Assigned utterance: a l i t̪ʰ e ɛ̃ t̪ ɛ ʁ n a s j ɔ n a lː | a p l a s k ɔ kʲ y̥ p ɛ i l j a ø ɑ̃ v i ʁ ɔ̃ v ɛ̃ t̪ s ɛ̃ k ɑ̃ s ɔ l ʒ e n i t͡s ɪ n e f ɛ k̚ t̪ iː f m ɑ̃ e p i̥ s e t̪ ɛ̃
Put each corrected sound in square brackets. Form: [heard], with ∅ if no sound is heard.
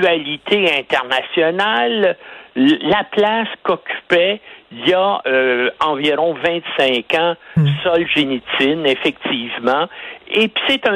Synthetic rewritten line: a l i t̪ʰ e ɛ̃ t̪ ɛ ʁ n a s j ɔ n a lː | a p l a s k ɔ kʲ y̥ p ɛ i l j a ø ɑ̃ v i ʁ ɔ̃ v ɛ̃ t̪ s ɛ̃ k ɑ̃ s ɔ l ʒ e n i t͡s ɪ n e f ɛ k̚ t̪ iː [v] m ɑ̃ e p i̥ s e t̪ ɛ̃